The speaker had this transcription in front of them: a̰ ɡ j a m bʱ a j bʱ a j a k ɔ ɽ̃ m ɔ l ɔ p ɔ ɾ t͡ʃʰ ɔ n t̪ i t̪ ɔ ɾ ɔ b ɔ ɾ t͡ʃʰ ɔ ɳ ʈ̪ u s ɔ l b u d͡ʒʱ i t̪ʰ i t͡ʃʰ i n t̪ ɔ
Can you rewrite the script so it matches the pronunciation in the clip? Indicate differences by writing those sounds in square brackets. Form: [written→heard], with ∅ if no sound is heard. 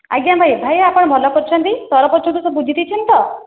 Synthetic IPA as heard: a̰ ɡ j a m bʱ a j bʱ a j a [k→p] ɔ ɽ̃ m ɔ l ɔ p ɔ ɾ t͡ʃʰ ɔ n t̪ i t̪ ɔ ɾ ɔ [b→p] ɔ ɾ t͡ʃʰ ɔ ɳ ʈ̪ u s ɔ [l→∅] b u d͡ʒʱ i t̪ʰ i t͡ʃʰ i n t̪ ɔ